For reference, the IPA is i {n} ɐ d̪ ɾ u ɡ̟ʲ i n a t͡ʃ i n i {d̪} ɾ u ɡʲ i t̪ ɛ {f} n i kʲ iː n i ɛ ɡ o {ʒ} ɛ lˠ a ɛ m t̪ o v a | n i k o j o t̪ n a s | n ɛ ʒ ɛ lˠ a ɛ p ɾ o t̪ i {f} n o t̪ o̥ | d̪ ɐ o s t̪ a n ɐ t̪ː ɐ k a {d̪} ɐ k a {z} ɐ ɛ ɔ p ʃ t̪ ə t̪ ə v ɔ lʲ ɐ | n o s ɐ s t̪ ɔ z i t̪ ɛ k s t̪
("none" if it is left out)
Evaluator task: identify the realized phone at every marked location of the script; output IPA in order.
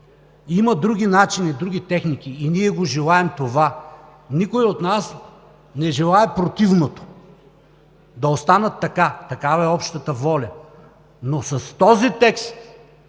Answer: m, d̪, x, ʒ, v, t̪, v

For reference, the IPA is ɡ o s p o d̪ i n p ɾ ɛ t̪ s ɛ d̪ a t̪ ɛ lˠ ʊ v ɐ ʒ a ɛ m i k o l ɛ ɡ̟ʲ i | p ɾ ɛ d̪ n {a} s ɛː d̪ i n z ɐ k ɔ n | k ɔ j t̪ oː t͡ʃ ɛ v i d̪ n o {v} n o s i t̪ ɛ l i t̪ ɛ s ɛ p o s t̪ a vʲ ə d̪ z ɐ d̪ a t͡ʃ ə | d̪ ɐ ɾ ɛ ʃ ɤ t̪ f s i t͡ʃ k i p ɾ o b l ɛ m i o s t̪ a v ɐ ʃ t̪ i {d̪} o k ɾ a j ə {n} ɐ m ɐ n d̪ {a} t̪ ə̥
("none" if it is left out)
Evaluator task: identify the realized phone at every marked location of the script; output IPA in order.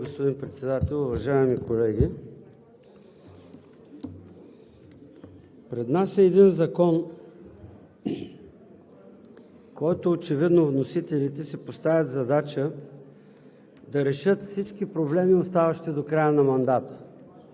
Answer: a, v, d̪, n, a

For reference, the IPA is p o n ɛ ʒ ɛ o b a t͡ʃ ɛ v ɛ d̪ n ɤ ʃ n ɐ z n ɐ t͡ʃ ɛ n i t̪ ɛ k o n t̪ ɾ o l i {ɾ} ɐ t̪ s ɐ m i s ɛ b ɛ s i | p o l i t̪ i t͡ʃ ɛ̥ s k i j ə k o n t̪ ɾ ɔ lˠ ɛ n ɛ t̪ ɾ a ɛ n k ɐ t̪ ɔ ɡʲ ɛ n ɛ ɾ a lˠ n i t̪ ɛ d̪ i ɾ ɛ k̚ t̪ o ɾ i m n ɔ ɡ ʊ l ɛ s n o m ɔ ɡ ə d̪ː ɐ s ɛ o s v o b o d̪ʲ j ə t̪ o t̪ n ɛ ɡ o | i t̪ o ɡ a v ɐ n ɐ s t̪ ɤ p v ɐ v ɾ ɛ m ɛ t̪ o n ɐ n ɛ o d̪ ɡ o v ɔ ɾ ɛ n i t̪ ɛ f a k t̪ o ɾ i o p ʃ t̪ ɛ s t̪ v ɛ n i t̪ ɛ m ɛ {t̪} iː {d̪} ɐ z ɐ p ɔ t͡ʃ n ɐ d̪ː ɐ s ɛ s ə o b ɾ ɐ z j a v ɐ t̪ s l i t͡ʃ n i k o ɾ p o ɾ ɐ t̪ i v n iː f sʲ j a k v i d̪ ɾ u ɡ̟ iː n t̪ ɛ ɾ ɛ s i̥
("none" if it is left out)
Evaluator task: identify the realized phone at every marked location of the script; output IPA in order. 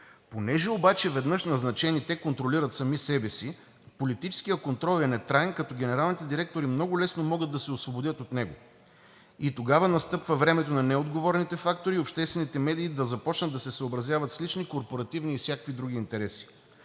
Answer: ɾ, d̪, d̪

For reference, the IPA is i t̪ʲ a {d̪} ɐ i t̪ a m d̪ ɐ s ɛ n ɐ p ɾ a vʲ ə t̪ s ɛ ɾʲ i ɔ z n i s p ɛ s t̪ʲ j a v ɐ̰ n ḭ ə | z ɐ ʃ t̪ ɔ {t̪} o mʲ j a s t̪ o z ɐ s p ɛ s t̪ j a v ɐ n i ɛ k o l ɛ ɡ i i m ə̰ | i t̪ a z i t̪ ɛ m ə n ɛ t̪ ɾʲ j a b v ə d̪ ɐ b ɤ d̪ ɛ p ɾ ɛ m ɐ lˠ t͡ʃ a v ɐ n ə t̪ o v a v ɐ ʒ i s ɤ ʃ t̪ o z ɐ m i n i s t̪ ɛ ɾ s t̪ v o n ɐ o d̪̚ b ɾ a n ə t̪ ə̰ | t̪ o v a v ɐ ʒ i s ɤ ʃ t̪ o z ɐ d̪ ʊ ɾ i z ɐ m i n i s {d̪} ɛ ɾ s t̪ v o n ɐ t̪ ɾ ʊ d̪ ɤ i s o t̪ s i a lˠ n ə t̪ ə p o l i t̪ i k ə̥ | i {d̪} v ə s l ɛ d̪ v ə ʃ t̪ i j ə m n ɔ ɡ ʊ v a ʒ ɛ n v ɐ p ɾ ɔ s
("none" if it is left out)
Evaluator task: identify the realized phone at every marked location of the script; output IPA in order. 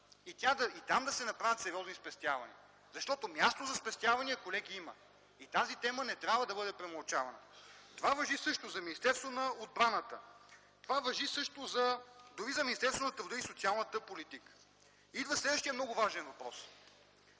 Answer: d̪, t̪, t̪, d̪

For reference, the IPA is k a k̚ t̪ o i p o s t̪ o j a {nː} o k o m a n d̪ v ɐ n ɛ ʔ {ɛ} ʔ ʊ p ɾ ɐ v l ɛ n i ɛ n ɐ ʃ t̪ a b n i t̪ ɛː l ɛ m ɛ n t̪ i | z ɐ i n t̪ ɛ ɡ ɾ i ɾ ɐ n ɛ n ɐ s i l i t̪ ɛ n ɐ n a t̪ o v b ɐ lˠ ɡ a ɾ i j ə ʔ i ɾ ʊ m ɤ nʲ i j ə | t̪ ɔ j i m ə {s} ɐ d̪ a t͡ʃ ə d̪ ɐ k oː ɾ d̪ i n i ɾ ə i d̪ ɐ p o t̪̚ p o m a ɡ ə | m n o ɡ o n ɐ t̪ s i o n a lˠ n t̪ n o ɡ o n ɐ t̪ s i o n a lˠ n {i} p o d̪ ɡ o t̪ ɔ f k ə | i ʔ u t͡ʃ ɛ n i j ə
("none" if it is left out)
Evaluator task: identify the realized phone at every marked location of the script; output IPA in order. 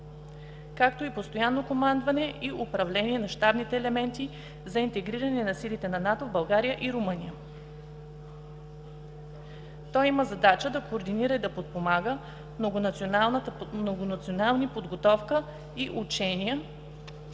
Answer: nː, i, z, i

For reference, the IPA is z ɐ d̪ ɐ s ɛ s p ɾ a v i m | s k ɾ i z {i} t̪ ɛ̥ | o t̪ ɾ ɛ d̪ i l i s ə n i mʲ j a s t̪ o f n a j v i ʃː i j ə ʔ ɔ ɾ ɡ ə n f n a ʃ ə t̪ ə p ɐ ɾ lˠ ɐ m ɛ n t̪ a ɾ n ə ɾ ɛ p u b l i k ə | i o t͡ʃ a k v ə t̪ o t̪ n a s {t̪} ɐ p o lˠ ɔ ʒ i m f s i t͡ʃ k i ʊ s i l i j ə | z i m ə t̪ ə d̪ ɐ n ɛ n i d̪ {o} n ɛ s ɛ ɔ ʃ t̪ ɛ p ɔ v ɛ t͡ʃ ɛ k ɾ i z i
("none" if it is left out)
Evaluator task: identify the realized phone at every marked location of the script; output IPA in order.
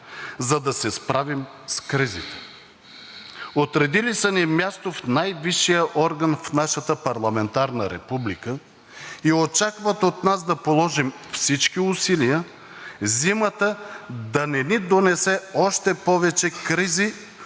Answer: i, d̪, o

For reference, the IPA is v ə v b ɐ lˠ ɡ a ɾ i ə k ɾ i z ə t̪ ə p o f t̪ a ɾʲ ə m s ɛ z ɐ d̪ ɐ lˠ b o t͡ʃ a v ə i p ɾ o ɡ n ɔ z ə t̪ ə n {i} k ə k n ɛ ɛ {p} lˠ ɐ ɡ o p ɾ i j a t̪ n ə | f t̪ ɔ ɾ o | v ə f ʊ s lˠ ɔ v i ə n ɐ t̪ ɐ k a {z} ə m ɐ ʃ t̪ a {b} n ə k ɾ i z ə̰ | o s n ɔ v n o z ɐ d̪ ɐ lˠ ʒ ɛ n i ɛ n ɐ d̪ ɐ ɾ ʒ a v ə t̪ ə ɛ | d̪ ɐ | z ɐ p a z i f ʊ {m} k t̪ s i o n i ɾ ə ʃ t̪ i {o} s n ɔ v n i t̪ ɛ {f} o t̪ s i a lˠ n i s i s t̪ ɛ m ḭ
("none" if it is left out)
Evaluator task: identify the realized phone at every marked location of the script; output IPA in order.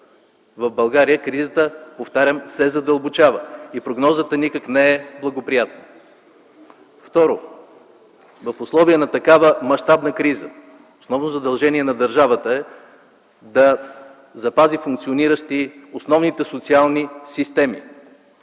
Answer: i, b, v, b, ŋ, o, s

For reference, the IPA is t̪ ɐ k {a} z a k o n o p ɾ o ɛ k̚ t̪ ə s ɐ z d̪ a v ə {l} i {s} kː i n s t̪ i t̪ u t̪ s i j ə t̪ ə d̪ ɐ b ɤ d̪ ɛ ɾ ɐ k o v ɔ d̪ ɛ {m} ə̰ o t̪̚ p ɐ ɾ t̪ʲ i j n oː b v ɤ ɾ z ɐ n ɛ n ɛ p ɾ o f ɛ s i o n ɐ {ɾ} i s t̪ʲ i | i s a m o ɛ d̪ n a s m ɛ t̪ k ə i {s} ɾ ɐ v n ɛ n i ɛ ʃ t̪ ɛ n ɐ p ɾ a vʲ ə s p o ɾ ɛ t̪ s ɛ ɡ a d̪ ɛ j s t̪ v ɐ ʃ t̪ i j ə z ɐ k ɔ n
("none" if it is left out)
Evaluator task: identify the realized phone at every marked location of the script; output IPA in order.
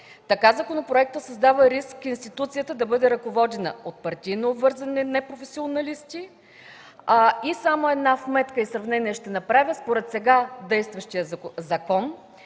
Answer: a, ɾ, s, n, l, s

